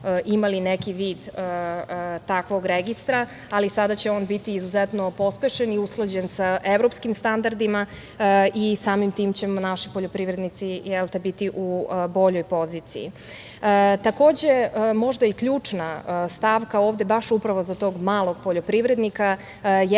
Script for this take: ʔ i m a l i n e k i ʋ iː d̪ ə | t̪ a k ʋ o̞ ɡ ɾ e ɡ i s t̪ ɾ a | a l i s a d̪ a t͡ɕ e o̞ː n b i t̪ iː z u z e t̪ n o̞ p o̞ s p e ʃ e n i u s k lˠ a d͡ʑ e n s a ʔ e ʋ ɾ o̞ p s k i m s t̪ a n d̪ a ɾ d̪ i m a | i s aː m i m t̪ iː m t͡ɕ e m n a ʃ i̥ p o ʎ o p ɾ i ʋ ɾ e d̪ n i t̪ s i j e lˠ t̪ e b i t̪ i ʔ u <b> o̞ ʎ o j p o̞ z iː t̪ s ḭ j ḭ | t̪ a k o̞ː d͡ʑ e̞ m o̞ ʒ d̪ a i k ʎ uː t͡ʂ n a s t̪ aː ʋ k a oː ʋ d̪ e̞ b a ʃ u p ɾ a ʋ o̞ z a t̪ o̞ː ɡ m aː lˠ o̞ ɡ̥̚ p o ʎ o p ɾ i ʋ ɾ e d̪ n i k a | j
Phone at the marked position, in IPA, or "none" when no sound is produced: b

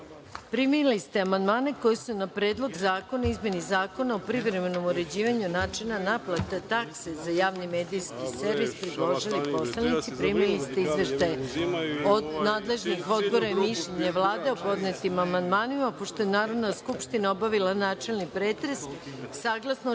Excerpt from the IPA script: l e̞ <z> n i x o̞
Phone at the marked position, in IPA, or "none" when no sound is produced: ʒ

